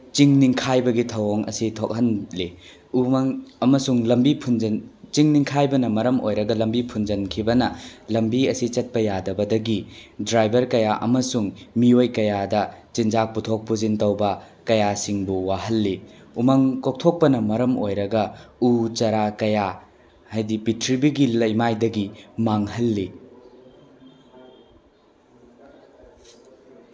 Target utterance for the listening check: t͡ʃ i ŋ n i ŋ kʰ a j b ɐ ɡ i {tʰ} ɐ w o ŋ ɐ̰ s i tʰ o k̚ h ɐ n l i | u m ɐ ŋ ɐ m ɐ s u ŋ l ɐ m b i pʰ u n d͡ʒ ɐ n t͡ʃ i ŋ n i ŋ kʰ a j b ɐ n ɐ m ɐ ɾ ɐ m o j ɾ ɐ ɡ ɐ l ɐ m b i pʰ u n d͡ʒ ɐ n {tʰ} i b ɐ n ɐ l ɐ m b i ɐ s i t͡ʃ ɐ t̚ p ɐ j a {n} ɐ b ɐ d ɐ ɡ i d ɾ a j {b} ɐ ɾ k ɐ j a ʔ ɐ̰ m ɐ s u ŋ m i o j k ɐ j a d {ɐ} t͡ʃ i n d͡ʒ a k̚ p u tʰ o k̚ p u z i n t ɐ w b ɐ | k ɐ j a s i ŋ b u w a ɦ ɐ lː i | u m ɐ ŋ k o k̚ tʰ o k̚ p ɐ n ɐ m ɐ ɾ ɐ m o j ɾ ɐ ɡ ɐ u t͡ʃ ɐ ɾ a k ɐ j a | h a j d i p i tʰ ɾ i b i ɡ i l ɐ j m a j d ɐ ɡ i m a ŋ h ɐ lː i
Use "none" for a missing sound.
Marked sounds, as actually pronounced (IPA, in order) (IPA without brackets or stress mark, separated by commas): tʰ, kʰ, d, b, ɐ